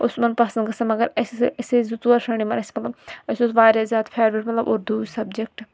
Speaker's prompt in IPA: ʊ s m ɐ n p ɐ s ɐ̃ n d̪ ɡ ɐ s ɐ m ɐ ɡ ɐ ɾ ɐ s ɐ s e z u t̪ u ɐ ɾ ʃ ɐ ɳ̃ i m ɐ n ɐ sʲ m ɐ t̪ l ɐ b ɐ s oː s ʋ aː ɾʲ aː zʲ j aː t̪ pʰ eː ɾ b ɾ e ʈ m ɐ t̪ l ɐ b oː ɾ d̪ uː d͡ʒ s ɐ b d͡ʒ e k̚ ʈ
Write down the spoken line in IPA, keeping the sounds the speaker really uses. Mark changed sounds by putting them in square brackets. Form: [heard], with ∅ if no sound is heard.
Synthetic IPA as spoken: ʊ s m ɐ n p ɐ s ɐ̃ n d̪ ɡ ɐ s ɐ m ɐ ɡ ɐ ɾ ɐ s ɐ s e z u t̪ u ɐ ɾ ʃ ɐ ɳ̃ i m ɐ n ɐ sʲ m ɐ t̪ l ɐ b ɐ s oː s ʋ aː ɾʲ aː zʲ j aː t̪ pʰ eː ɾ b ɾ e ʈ m ɐ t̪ l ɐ b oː ɾ d̪ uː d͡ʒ s ɐ b d͡ʒ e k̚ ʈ